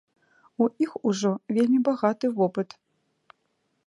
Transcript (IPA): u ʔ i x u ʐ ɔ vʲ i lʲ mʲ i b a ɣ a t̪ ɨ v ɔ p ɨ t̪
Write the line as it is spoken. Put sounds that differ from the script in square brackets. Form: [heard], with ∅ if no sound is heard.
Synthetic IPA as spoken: u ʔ i x u ʐ ɔ vʲ [e] lʲ mʲ i b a ɣ a t̪ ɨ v ɔ p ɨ t̪

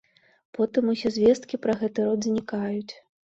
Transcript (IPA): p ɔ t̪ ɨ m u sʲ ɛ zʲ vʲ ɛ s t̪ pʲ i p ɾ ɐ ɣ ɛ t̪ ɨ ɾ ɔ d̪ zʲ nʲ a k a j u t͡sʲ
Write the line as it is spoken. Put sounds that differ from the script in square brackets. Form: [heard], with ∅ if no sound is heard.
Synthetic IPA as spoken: p ɔ t̪ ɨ m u sʲ ɛ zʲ vʲ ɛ s t̪ [kʲ] i p ɾ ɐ ɣ ɛ t̪ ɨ ɾ ɔ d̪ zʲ nʲ [i] k a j u t͡sʲ

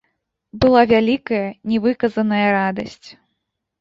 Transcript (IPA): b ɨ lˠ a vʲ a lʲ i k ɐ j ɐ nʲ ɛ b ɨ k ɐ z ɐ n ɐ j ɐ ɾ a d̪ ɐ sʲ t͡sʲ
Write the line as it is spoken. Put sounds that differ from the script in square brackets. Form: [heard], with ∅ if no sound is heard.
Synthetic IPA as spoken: b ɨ lˠ a vʲ a lʲ i k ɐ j ɐ nʲ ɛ [v] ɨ k ɐ z ɐ n ɐ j ɐ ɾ a d̪ ɐ sʲ t͡sʲ

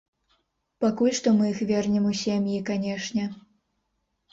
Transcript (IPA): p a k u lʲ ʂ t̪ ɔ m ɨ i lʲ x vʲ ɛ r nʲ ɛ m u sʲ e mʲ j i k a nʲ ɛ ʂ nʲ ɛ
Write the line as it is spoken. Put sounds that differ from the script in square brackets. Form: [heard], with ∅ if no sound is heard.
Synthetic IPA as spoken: p a k u lʲ ʂ t̪ ɔ m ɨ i [∅] x vʲ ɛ r nʲ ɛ m u sʲ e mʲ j i k a nʲ ɛ ʂ nʲ ɛ

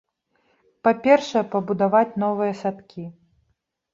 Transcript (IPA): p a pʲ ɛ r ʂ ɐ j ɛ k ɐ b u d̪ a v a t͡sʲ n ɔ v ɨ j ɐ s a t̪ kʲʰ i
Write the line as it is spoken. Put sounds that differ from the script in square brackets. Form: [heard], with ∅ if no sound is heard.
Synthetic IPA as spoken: p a pʲ ɛ r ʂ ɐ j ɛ [p] ɐ b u d̪ a v a t͡sʲ n ɔ v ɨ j ɐ s a t̪ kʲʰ i

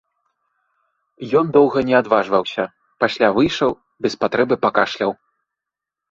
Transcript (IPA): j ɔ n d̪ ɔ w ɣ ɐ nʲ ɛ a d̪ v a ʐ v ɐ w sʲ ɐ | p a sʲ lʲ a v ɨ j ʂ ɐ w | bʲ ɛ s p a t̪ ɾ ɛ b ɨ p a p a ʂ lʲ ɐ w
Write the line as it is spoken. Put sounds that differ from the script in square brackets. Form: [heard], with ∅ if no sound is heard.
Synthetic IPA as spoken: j ɔ n d̪ ɔ w ɣ ɐ nʲ ɛ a d̪ v a ʐ v ɐ w sʲ ɐ | p a sʲ lʲ a v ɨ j ʂ ɐ w | bʲ ɛ s p a t̪ ɾ ɛ b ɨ p a [k] a ʂ lʲ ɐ w

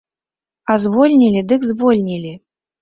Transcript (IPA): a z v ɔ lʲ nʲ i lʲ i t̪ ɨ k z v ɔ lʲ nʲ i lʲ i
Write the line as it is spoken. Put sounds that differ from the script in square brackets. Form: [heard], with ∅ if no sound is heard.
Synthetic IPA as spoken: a z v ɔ lʲ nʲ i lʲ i [d̪] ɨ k z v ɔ lʲ nʲ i lʲ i

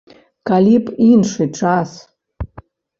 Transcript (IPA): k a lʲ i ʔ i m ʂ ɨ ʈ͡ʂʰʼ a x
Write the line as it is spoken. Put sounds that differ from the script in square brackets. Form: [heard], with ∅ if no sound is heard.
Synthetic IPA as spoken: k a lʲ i [p] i [n] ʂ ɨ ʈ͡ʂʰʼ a [s]

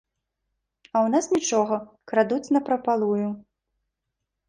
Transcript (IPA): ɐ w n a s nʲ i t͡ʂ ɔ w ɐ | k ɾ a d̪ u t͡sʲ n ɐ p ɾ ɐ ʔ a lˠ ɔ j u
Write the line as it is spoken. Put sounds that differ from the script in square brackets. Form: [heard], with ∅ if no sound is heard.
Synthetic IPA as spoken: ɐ w n a s nʲ i t͡ʂ ɔ [ɣ] ɐ | k ɾ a d̪ u t͡sʲ n ɐ p ɾ ɐ [p] a lˠ [u] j u

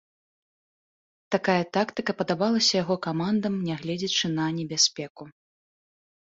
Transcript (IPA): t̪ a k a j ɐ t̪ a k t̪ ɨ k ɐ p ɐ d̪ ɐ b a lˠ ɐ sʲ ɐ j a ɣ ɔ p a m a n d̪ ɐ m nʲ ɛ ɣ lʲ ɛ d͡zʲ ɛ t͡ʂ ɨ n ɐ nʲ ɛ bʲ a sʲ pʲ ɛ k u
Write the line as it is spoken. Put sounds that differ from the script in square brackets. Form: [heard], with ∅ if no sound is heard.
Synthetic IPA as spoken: t̪ a k a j ɐ t̪ a k t̪ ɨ k ɐ p ɐ d̪ [a] b a lˠ ɐ sʲ ɐ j a ɣ ɔ [k] a m a n d̪ ɐ m nʲ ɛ ɣ lʲ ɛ d͡zʲ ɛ t͡ʂ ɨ n ɐ nʲ ɛ bʲ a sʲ pʲ ɛ k u

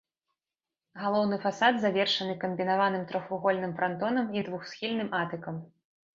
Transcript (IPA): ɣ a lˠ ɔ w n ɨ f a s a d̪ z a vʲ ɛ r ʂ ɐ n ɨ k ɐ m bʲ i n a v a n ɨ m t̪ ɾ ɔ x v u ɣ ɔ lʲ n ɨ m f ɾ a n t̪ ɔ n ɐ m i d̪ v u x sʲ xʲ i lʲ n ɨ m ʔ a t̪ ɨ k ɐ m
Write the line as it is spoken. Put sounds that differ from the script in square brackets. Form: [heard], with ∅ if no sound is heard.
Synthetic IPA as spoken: ɣ a lˠ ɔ w n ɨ f a s a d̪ z a vʲ ɛ r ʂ ɐ n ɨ k ɐ m bʲ i n a v a n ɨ m t̪ ɾ ɔ x v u ɣ ɔ lʲ n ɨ m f ɾ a n t̪ ɔ n ɐ m i d̪ v u x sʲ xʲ i lʲ n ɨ m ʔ a t̪ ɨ k ɐ m

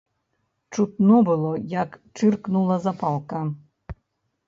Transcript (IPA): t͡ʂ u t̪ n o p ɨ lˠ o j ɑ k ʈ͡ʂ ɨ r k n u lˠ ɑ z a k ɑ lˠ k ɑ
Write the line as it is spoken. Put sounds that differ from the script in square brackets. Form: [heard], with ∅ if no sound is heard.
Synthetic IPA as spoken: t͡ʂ u t̪ n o [b] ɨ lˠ o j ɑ k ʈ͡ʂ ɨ r k n u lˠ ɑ z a [p] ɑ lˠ k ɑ

